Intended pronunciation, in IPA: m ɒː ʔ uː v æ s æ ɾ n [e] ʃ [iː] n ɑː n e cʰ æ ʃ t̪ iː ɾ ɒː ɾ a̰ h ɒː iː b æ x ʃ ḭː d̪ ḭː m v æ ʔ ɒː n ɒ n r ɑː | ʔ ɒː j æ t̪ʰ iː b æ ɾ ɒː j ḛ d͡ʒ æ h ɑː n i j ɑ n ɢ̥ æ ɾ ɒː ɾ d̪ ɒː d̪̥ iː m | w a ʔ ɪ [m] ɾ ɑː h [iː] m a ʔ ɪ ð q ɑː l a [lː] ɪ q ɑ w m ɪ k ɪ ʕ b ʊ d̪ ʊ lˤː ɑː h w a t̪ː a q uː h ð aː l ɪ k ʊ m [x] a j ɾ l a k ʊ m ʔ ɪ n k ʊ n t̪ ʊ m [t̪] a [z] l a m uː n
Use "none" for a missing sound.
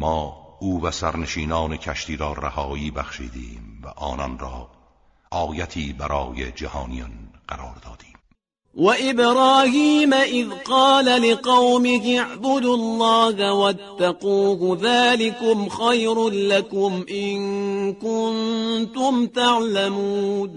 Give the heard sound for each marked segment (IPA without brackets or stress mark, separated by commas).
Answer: e, iː, b, iː, l, x, t̪, ʕ